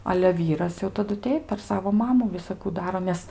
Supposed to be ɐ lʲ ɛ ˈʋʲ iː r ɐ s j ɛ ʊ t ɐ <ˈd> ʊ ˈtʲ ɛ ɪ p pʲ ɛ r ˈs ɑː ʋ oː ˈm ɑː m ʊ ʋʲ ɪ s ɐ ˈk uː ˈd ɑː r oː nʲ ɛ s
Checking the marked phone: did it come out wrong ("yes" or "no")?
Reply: no